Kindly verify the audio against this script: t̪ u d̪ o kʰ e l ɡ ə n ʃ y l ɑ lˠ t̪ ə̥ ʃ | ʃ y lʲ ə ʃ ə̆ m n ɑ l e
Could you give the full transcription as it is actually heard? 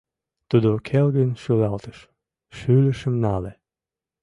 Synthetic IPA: t̪ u d̪ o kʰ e l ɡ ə n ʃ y l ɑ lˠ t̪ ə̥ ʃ | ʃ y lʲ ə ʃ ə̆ m n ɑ l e